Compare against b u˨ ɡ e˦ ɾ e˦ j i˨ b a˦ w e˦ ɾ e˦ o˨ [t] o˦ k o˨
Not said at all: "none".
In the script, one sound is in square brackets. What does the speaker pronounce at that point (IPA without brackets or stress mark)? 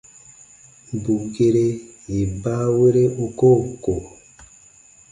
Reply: k